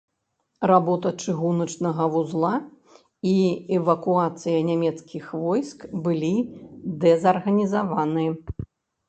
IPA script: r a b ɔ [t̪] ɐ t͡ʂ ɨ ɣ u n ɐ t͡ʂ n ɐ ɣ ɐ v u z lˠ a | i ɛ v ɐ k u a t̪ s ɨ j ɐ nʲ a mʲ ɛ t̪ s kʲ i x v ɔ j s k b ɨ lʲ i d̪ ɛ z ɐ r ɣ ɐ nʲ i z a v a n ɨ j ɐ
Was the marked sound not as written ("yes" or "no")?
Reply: no